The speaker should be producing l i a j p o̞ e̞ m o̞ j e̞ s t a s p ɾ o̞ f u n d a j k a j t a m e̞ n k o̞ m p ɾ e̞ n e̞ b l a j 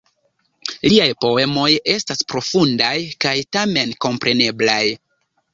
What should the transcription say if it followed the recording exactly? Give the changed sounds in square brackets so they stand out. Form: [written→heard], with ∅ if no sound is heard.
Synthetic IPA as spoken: l i a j p o̞ e̞ m o̞ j e̞ s t a s p ɾ o̞ f u n d a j k a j t a m e̞ n k o̞ m p ɾ e̞ n e̞ b l a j